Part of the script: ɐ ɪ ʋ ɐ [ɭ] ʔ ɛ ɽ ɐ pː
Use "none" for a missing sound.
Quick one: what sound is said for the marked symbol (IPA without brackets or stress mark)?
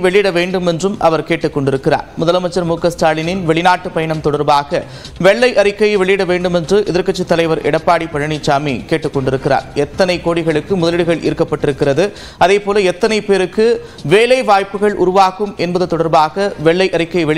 ɾ